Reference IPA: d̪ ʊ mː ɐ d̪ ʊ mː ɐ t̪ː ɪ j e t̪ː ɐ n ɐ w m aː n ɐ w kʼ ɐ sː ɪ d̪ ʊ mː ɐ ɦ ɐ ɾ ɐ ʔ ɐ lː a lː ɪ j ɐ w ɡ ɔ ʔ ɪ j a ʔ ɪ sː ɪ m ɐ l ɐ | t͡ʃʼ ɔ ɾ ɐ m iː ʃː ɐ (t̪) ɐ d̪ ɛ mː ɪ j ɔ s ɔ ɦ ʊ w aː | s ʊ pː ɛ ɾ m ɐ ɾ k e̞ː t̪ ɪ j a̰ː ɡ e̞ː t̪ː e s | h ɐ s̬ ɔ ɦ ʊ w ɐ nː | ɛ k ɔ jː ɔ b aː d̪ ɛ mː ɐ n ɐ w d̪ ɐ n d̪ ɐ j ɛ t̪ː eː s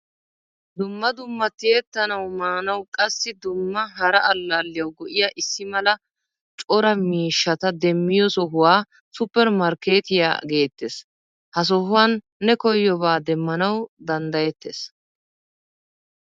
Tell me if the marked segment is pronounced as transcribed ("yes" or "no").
yes